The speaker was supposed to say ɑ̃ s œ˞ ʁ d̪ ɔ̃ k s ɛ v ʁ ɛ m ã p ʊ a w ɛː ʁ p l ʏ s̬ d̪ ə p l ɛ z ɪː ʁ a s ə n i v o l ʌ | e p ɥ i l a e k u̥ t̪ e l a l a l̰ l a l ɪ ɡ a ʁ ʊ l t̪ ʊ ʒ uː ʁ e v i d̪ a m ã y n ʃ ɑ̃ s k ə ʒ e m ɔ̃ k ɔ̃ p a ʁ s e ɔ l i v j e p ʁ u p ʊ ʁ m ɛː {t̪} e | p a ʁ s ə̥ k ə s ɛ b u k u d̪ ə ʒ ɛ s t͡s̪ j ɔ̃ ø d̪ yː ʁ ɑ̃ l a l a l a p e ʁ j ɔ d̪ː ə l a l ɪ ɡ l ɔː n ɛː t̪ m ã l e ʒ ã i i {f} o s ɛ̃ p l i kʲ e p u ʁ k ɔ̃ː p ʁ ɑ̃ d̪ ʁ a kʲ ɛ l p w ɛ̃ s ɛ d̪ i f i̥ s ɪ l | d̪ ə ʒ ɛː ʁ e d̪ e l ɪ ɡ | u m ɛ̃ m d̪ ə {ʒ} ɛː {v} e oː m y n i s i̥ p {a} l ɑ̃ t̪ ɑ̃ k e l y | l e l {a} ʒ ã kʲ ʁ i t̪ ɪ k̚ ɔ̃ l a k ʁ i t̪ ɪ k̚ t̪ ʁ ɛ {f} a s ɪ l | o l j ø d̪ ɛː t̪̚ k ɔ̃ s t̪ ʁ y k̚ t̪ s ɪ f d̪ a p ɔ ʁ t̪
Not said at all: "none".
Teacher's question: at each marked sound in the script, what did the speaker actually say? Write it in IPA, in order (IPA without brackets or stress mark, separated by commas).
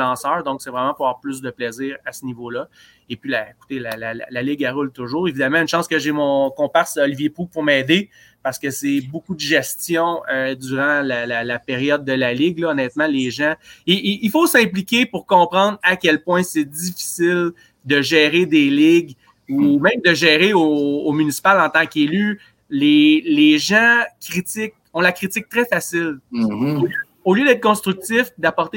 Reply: d̪, f, ʒ, ʁ, a, e, f